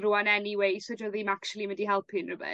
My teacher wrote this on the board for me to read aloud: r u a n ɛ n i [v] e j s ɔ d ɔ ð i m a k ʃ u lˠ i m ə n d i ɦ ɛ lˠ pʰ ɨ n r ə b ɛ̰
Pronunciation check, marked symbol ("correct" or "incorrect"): incorrect